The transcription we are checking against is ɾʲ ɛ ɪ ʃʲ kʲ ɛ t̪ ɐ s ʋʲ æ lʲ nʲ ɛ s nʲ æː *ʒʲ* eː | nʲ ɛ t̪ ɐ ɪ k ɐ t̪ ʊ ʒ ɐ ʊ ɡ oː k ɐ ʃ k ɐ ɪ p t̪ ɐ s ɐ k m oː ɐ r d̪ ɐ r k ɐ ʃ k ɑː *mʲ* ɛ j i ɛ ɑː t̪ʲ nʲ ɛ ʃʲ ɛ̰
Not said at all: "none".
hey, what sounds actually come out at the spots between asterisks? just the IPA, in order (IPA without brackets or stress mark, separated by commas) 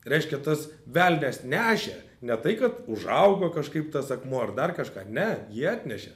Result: ʃʲ, nʲ